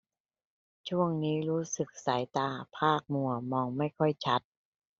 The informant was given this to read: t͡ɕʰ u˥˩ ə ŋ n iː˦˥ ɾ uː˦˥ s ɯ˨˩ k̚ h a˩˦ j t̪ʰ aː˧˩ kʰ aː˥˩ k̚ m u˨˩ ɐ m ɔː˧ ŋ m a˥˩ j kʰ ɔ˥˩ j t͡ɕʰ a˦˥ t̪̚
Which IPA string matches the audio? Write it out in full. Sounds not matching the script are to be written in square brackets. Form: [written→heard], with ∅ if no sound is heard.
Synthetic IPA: t͡ɕʰ u˥˩ ə ŋ n iː˦˥ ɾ uː˦˥ s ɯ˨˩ k̚ [h→s] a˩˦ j [t̪ʰ→t̪] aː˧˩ [kʰ→pʰ] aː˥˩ k̚ m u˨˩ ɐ m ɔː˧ ŋ m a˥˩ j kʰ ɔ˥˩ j t͡ɕʰ a˦˥ t̪̚